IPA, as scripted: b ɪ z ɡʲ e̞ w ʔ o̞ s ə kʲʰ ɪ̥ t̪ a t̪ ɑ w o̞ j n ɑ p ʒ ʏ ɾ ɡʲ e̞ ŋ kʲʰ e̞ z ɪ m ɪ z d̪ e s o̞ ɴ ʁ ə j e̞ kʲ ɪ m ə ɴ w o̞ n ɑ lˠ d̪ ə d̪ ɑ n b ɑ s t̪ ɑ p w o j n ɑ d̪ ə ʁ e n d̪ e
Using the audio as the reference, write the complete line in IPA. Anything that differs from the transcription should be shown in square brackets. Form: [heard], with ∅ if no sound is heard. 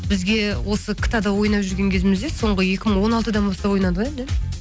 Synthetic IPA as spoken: b ɪ z ɡʲ e̞ w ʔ o̞ s ə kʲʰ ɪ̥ t̪ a [d̪] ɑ w o̞ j n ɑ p ʒ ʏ ɾ ɡʲ e̞ ŋ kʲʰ e̞ z ɪ m ɪ z d̪ e s o̞ ɴ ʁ ə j e̞ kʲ ɪ m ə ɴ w o̞ n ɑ lˠ [t̪] ə d̪ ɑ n b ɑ s t̪ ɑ p w o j n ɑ d̪ ə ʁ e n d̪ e